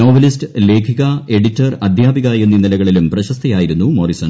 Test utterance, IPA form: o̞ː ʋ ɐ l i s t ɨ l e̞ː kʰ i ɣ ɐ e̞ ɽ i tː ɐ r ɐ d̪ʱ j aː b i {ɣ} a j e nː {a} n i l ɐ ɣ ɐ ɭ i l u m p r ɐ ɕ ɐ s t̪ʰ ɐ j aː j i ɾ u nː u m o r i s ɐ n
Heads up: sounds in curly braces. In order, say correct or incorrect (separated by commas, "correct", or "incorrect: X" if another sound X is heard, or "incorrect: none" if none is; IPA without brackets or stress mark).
correct, incorrect: i